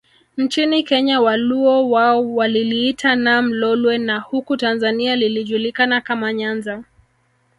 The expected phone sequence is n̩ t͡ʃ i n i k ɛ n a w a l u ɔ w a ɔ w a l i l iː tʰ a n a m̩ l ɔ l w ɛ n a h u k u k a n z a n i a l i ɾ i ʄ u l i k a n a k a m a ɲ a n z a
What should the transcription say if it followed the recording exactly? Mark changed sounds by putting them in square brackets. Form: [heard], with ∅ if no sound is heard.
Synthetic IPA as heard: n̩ t͡ʃ i n i k ɛ [ɲ] a w a l u ɔ w a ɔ w a l i l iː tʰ a n a m̩ l ɔ l w ɛ n a h u k u [t] a n z a n i a l i [l] i ʄ u l i k a n a k a m a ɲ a n z a